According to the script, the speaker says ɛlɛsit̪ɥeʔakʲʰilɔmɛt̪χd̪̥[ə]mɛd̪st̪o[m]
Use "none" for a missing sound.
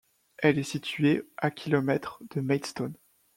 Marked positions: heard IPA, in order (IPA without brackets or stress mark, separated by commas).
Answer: ə, n